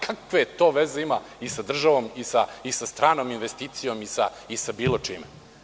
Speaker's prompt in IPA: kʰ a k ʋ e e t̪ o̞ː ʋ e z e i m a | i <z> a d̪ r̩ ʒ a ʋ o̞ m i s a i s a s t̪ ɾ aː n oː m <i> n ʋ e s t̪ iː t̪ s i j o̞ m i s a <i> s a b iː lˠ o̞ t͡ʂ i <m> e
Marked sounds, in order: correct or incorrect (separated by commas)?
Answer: incorrect, correct, correct, correct